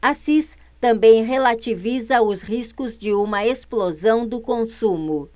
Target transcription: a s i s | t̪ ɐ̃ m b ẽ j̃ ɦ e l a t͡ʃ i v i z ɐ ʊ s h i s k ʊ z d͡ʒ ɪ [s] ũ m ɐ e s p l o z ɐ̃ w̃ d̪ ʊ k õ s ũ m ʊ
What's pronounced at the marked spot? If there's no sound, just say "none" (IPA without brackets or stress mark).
none